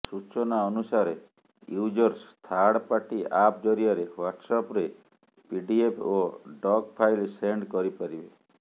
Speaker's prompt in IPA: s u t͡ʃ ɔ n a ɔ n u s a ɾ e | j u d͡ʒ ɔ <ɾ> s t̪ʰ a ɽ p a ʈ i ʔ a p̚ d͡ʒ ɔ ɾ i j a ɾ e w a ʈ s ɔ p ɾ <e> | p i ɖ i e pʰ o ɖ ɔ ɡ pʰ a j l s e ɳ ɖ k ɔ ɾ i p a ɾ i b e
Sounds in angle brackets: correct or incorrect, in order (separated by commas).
correct, correct